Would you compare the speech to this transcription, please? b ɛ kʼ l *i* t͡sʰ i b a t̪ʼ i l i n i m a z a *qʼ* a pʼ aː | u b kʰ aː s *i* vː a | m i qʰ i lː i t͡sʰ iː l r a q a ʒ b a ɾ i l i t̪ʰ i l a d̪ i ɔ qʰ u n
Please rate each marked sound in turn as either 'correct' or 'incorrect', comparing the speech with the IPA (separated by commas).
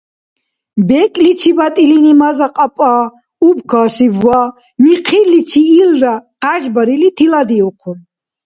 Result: correct, correct, correct